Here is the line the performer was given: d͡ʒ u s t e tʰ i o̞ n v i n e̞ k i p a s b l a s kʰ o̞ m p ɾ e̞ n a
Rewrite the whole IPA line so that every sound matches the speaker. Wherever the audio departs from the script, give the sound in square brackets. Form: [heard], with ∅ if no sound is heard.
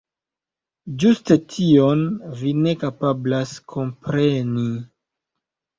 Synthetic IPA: d͡ʒ u s t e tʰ i o̞ n v i n e̞ k [a] p a [∅] b l a s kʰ o̞ m p ɾ e̞ n [i]